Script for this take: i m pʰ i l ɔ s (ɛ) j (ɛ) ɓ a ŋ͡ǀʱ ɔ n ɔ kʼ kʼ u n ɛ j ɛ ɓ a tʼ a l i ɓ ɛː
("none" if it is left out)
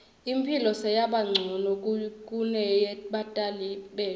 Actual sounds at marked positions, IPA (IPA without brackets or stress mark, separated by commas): ɛ, a